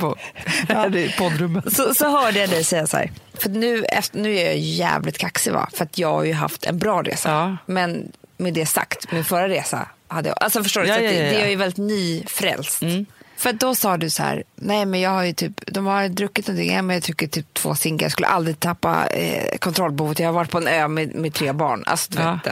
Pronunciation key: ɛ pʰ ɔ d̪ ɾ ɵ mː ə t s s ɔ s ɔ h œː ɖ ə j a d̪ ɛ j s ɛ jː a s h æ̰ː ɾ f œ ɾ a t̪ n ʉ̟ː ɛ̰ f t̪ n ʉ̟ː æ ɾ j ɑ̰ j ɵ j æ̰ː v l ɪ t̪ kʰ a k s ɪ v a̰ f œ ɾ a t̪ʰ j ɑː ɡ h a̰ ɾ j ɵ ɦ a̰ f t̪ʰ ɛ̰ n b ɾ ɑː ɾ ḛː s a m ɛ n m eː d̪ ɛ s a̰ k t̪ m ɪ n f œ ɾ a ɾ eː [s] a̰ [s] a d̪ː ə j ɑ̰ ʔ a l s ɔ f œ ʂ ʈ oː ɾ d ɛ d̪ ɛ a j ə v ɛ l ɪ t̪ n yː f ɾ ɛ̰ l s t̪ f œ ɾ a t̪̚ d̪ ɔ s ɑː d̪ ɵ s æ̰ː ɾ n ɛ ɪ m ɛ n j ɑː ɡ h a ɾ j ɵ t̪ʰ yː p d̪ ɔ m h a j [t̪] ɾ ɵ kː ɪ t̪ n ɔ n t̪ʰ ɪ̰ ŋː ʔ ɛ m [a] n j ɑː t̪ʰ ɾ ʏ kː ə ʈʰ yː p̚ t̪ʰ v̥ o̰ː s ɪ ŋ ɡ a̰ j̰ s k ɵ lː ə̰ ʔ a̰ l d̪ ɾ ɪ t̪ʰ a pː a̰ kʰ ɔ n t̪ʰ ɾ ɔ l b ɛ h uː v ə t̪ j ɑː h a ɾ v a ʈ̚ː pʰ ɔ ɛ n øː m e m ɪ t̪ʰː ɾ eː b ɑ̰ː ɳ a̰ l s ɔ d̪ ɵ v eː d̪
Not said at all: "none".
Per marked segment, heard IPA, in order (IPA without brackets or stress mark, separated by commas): s, h, d̪, ɛ